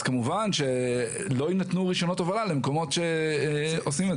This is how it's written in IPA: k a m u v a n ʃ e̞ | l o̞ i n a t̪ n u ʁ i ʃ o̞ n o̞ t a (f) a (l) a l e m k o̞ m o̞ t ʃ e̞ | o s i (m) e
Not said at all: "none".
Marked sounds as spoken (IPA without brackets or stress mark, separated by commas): v, l, m